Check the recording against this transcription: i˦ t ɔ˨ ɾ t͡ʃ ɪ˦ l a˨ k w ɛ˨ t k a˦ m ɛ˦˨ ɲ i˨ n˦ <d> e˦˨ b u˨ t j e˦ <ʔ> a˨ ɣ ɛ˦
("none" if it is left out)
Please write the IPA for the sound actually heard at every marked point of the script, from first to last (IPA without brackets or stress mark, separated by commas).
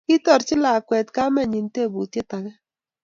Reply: t, t